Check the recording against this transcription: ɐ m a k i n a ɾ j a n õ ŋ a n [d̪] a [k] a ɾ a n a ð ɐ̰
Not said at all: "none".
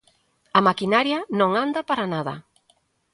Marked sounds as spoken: d̪, p

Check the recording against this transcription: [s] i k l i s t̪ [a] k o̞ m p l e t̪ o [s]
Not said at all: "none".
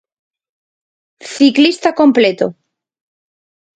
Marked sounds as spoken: θ, a, none

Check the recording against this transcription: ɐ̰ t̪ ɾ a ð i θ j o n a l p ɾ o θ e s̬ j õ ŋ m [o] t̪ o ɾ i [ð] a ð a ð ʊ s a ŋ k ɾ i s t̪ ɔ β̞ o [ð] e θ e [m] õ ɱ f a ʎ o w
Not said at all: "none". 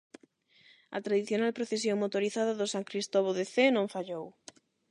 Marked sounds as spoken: o, θ, ð, n

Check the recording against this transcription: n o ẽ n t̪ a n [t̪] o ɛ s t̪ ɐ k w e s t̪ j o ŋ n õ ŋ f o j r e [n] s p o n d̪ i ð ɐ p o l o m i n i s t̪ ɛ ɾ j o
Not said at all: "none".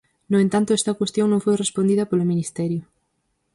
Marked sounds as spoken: t̪, none

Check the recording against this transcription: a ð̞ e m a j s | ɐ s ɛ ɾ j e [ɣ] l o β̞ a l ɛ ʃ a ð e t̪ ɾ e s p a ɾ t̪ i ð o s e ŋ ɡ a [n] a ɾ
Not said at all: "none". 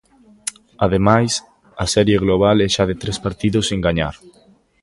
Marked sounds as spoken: ɣ, ɲ

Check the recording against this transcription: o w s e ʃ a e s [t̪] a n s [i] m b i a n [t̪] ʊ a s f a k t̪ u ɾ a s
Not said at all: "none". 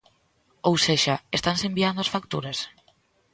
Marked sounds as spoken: t̪, e, d̪

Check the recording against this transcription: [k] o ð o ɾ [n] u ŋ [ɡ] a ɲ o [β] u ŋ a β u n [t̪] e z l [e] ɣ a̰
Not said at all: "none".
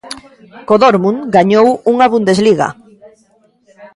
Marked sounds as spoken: k, m, ɡ, w, d̪, i

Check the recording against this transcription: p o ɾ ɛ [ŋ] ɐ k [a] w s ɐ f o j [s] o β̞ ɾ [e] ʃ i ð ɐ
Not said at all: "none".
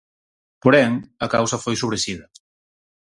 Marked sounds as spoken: ŋ, a, s, e

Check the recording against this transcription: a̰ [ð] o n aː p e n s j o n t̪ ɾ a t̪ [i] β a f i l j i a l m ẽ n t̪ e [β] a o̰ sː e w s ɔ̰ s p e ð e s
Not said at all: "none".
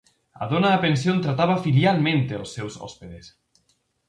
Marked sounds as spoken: ð, a, none

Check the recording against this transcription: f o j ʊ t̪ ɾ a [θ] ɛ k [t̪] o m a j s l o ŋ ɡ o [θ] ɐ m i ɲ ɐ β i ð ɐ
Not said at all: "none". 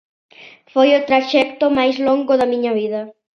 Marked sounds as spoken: ʃ, t̪, ð

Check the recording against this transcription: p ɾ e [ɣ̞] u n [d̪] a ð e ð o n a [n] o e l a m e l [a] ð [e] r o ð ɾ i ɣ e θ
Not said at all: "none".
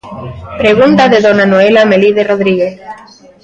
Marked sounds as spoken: ɣ̞, t̪, n, i, e

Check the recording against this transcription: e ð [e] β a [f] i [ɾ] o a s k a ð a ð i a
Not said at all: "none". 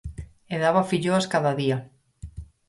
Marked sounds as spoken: a, f, ʎ

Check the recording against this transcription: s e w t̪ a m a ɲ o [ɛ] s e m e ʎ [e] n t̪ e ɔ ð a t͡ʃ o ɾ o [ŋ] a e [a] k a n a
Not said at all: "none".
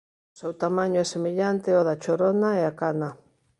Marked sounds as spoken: ɛ, a, n, a

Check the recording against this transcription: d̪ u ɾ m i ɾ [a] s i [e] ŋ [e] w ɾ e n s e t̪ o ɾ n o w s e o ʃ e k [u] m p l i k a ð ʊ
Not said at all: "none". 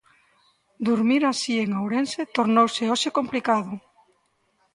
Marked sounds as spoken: a, e, a, o

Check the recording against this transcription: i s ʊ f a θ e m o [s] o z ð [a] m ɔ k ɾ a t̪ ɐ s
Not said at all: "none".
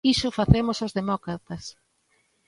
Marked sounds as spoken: s, e

